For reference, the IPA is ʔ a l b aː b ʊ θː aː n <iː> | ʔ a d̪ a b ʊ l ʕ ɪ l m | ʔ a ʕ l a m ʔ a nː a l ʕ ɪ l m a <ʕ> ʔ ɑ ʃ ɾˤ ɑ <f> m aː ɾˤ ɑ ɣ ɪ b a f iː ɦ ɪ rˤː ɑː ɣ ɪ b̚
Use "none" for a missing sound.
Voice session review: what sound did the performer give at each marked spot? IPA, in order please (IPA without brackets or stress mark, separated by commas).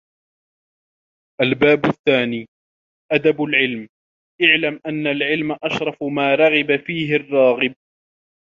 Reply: iː, none, f